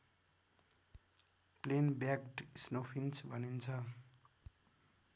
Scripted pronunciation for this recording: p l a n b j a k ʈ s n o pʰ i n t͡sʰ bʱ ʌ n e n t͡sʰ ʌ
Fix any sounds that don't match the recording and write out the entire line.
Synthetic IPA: p l e n b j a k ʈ s n o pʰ i n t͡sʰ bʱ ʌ n i n t͡sʰ ʌ